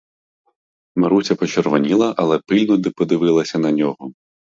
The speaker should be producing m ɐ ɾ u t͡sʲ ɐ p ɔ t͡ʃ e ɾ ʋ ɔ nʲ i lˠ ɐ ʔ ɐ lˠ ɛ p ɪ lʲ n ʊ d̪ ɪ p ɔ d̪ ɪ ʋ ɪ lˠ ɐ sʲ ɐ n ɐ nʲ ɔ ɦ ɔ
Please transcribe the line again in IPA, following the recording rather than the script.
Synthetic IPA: m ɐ ɾ u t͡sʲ ɐ p ɔ t͡ʃ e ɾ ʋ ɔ nʲ i lˠ ɐ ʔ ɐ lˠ ɛ p ɪ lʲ n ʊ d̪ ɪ p ɔ d̪ ɪ ʋ ɪ lˠ ɐ sʲ ɐ n ɐ nʲ ɔ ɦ ɔ